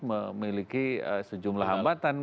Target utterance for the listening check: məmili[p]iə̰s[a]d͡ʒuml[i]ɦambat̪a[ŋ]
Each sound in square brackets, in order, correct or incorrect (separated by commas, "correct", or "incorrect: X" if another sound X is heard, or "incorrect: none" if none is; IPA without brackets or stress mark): incorrect: k, incorrect: ə, incorrect: a, incorrect: n